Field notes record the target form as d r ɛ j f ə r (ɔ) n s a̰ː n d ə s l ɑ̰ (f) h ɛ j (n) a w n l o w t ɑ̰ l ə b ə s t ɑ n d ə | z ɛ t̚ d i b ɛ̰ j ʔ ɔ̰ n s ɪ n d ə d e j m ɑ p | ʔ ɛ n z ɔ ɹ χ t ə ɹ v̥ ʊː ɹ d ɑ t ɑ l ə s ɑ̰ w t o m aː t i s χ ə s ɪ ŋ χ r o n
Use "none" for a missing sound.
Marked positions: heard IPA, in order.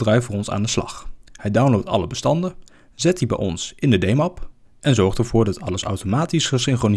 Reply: ɔ, χ, d

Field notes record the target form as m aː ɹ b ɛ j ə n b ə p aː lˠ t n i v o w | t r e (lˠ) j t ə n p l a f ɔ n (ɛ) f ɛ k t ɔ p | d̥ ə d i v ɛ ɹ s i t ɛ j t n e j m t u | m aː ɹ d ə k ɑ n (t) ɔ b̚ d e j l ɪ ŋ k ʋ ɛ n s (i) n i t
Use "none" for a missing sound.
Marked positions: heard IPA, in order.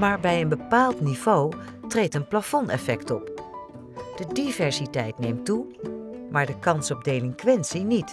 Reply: none, ɛ, s, i

